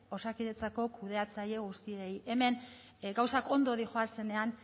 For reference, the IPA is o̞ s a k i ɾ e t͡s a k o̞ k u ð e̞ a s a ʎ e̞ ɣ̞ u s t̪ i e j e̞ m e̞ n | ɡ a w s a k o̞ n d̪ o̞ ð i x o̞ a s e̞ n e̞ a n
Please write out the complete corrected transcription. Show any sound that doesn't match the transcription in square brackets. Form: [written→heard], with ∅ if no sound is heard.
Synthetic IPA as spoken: o̞ s a k i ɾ e t͡s a k o̞ k u ð e̞ a [s→t͡s] a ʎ e̞ ɣ̞ u s t̪ i e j e̞ m e̞ n | ɡ a w s a k o̞ n d̪ o̞ ð i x o̞ a s e̞ n e̞ a n